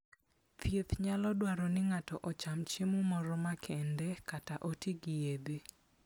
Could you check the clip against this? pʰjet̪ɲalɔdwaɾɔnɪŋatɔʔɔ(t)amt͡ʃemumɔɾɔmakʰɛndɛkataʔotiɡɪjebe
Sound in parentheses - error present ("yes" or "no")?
yes